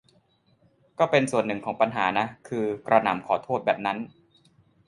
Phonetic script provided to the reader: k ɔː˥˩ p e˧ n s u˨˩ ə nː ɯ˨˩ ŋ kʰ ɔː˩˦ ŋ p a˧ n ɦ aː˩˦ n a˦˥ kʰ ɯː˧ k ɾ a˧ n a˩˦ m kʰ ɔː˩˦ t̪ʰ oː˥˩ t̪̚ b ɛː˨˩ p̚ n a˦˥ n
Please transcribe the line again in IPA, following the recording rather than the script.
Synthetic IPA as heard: k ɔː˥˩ p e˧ n s u˨˩ ə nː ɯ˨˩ ŋ kʰ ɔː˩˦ ŋ p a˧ n ɦ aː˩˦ n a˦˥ kʰ ɯː˧ k ɾ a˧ n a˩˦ m kʰ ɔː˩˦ t̪ʰ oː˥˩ t̪̚ b ɛː˨˩ p̚ n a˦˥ n